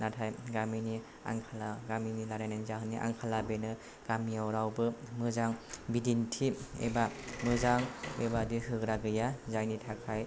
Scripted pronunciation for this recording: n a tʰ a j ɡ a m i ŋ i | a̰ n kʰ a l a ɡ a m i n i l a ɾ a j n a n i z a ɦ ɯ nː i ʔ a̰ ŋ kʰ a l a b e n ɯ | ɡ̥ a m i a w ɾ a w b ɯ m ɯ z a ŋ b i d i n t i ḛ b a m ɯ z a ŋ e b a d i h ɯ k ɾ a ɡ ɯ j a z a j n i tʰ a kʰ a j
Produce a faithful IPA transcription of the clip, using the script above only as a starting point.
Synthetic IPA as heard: n a tʰ a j ɡ a m i n i | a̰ ŋ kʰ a l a ɡ a m i n i l a ɾ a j n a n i z a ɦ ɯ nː i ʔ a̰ ŋ kʰ a l a b e n ɯ | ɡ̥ a m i a w ɾ a w b ɯ m ɯ z a ŋ b i d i n tʰ i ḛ b a m ɯ z a ŋ e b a d i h ɯ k ɾ a ɡ ɯ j a z a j n i tʰ a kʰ a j